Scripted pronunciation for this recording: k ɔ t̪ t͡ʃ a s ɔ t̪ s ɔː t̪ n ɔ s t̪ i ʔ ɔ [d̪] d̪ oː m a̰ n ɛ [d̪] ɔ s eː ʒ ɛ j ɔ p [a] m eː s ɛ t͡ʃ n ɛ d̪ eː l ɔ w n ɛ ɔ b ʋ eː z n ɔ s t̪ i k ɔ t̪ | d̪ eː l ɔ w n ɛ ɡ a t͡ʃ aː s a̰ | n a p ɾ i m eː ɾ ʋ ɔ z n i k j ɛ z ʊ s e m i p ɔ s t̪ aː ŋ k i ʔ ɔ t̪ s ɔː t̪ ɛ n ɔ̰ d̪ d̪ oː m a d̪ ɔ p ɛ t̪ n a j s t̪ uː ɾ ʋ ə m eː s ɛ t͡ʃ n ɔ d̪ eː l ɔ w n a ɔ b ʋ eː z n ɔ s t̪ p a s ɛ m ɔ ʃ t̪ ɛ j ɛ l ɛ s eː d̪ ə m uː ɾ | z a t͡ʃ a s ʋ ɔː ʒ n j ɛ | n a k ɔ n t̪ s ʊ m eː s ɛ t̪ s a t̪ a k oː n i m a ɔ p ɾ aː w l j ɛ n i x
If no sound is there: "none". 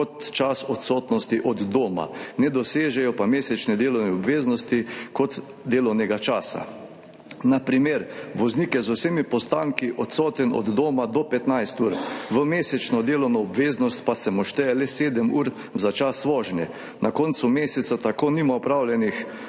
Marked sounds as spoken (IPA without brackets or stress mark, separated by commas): d̪, d̪, a